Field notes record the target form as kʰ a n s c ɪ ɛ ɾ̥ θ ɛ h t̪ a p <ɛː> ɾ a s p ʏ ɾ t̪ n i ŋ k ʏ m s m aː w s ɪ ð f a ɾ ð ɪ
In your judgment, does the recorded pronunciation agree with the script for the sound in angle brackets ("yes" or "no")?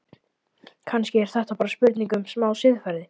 no